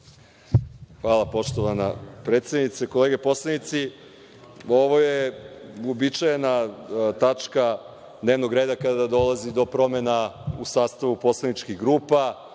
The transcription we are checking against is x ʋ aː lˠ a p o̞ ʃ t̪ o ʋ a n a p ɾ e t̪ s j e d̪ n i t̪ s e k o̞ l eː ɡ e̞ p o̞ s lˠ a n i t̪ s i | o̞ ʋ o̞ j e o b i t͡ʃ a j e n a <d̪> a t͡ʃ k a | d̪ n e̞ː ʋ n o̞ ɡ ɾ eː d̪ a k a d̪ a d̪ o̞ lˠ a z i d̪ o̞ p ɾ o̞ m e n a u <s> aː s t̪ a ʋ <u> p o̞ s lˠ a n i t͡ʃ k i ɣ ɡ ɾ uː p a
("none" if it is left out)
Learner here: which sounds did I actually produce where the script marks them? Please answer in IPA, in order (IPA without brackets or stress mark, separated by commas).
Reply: t̪, s, u